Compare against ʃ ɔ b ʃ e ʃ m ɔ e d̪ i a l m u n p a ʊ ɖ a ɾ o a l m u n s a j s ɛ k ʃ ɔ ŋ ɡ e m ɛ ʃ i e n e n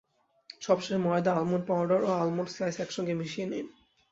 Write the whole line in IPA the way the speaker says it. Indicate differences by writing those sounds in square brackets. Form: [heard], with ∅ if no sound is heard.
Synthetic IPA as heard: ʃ ɔ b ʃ e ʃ m ɔ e d̪ [a] a l m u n p a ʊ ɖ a ɾ o a l m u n s a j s ɛ k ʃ ɔ ŋ ɡ e m [i] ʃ i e n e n